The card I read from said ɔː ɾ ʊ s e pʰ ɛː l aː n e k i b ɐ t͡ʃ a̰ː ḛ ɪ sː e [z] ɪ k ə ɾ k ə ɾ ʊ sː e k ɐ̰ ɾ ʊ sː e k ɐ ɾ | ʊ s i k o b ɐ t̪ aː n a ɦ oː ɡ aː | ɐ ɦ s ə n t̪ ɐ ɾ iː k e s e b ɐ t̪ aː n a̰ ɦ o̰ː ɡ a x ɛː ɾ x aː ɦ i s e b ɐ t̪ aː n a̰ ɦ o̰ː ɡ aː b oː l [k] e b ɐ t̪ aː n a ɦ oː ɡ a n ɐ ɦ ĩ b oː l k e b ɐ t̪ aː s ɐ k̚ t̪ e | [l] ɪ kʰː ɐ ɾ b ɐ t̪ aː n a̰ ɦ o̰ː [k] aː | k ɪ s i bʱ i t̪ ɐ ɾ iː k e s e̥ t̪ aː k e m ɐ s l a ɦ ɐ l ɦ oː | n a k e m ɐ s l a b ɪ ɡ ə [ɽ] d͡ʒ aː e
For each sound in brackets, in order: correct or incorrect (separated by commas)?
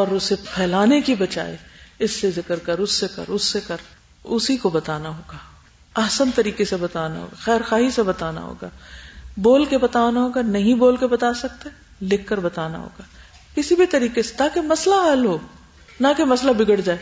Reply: correct, correct, correct, incorrect, correct